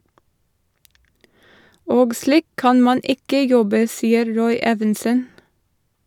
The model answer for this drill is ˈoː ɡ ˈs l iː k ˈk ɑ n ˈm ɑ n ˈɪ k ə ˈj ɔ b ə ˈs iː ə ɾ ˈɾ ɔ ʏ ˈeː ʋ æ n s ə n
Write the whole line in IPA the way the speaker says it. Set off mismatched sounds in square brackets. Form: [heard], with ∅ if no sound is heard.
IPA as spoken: ˈoː ɡ ˈs l iː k ˈk ɑ n ˈm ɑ n ˈɪ k ə ˈj ɔ b ə ˈs iː ə ɾ ˈɾ ɔ ʏ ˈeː ʋ [ɛ] n s ə n